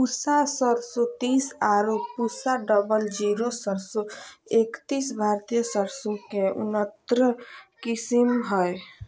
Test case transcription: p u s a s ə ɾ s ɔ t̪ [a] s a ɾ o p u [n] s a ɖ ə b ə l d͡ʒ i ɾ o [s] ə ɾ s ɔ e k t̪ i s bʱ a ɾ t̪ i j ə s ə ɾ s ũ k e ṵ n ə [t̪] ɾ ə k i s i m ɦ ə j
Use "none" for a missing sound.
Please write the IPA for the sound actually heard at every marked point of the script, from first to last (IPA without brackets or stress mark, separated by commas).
i, none, s, t̪